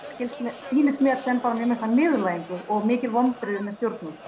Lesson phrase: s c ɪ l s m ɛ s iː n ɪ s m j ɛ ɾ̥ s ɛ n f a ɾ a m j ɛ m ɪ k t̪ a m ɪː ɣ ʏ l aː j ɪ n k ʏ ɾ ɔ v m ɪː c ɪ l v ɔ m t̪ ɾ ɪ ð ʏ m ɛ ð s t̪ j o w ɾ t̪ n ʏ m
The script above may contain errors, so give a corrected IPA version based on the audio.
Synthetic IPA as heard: s c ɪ l s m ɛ s iː n ɪ s m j ɛ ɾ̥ s ɛ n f a ɾ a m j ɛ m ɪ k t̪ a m ɪː ɣ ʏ l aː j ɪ ŋ k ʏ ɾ ɔ ɣ m ɪː c ɪ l v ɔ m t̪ ɾ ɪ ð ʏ m ɛ ð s t̪ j o w ɾ t̪ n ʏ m